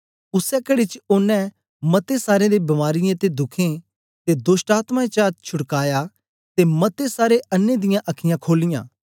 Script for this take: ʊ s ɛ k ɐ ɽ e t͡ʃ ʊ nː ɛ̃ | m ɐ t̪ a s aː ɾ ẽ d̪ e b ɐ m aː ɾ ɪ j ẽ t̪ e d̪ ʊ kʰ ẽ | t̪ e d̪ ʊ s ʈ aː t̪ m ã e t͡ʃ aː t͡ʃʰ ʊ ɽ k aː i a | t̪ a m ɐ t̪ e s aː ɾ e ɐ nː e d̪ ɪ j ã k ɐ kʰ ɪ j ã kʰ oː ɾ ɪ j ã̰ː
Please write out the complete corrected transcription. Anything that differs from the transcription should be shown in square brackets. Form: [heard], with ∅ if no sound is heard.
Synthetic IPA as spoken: ʊ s ɛ k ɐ ɽ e t͡ʃ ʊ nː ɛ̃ | m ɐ t̪ [e] s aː ɾ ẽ d̪ e b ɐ m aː ɾ ɪ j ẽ t̪ e d̪ ʊ kʰ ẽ | t̪ e d̪ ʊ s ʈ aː t̪ m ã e t͡ʃ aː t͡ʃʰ ʊ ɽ k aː [j] a | t̪ [e] m ɐ t̪ e s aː ɾ e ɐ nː e d̪ ɪ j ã [ʔ] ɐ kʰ ɪ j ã kʰ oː [l] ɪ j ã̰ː